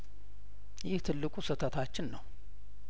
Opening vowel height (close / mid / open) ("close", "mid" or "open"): close